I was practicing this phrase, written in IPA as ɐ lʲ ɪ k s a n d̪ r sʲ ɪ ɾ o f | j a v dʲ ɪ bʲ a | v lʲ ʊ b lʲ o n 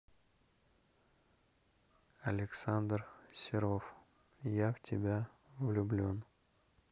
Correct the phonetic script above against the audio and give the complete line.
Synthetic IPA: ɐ lʲ ɪ k s a n d̪ r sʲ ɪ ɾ o f | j a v tʲ ɪ bʲ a | v lʲ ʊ b lʲ o n